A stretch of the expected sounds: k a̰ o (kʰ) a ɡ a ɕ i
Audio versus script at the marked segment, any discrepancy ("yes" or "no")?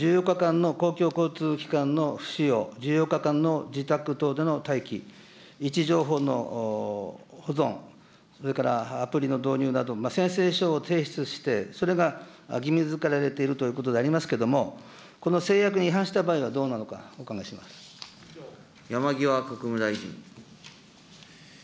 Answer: yes